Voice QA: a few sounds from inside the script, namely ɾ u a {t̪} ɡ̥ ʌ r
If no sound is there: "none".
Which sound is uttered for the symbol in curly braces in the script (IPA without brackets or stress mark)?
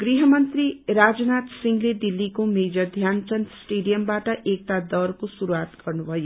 t̪